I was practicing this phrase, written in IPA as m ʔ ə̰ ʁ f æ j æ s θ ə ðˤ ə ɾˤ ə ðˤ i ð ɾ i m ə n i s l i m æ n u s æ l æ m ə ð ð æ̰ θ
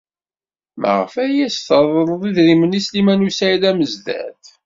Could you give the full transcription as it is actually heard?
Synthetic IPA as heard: m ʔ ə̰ ʁ f æ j æ s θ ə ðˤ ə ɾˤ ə ðˤ i ð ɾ i m ə n i s l i m æ n u s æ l æ m ə z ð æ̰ θ